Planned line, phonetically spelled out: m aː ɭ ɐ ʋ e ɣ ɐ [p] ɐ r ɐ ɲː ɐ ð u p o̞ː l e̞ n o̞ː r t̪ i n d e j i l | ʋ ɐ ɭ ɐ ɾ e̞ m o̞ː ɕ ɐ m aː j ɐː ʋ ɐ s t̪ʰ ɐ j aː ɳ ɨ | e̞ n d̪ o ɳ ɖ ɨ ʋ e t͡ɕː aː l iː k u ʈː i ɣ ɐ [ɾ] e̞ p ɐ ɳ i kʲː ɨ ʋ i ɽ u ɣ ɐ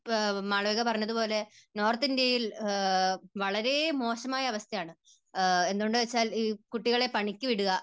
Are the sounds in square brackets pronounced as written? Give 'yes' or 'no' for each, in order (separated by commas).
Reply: yes, no